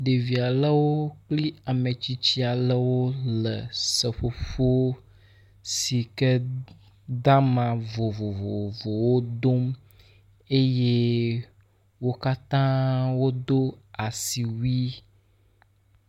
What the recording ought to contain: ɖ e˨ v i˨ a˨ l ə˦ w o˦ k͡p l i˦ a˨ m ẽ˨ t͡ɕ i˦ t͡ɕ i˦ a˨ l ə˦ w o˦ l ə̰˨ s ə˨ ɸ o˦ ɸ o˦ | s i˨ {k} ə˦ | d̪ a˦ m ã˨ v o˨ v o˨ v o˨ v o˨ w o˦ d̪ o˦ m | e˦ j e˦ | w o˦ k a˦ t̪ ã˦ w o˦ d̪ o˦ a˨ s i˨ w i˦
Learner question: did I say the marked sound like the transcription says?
yes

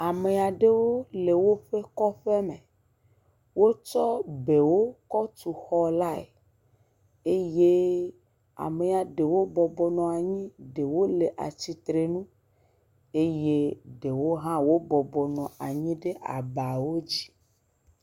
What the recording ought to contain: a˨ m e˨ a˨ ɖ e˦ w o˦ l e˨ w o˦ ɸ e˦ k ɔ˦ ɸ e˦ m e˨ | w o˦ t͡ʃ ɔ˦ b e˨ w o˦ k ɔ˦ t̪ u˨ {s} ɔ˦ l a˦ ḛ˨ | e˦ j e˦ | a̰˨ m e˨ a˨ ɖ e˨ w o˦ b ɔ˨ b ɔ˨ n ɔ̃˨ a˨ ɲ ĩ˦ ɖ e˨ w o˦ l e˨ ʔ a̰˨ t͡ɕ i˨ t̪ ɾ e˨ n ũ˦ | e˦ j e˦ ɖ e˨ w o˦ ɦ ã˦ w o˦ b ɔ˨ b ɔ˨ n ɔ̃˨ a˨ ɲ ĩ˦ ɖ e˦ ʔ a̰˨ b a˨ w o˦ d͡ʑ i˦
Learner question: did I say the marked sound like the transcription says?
no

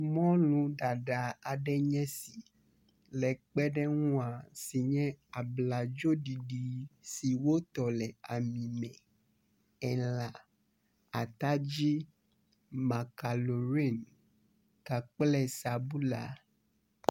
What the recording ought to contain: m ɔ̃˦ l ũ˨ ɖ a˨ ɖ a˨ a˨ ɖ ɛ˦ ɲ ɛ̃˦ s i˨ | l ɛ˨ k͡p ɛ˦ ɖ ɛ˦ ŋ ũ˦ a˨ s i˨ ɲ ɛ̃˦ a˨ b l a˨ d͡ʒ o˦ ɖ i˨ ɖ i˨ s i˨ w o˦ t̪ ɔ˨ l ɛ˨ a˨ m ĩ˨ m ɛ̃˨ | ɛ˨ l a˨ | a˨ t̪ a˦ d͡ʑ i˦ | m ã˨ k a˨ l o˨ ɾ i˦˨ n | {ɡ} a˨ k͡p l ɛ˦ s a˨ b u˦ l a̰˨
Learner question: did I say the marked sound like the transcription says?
no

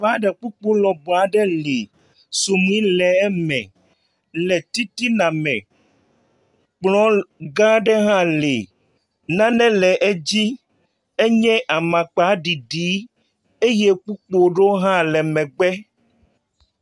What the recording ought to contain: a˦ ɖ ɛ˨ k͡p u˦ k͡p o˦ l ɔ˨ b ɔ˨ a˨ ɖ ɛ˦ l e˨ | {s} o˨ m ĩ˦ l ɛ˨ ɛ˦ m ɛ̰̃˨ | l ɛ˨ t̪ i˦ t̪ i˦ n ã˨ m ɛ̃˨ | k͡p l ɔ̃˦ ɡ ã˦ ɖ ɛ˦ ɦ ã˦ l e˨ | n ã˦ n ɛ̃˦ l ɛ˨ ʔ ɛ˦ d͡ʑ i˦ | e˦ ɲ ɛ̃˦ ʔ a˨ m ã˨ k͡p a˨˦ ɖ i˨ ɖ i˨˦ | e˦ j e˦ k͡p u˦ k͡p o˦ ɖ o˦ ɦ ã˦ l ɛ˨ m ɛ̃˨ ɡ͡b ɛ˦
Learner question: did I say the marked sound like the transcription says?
yes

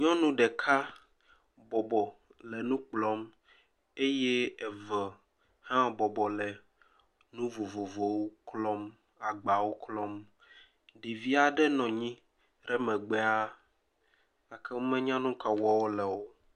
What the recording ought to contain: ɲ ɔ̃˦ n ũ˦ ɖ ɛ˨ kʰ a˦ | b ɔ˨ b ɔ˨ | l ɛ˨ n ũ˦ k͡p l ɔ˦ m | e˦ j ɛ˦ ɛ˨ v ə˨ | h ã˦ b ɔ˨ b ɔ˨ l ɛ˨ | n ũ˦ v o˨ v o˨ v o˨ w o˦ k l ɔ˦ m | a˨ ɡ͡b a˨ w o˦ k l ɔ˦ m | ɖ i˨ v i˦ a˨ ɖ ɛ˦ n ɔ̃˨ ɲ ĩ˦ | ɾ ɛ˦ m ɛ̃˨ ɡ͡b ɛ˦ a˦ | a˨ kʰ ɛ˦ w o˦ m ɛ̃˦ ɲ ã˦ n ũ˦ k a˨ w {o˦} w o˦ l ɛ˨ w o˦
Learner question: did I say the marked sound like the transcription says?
no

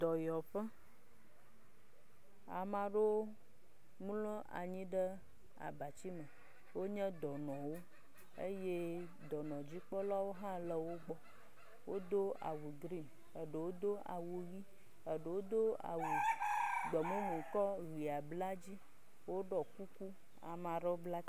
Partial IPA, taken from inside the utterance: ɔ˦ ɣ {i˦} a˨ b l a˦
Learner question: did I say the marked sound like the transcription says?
no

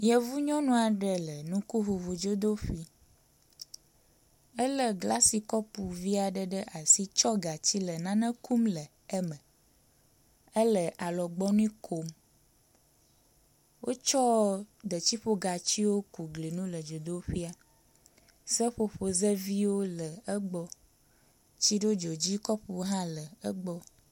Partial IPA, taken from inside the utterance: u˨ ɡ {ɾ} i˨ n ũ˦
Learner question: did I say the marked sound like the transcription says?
no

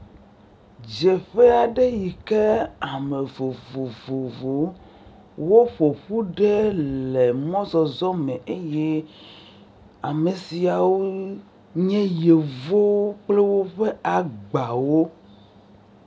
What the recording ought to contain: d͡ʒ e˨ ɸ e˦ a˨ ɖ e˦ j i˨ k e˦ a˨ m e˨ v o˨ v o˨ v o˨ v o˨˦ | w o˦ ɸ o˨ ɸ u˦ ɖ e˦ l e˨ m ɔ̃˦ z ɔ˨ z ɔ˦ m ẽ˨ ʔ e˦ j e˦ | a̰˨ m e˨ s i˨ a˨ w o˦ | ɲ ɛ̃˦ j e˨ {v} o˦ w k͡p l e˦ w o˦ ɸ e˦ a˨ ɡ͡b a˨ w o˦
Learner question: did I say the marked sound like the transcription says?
yes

